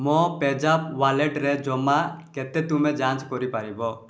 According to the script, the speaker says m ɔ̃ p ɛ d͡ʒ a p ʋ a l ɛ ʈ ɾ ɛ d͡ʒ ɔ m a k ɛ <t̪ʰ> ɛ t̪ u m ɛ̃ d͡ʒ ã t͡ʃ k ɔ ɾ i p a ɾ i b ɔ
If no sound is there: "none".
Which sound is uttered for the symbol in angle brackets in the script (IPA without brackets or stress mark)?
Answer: t̪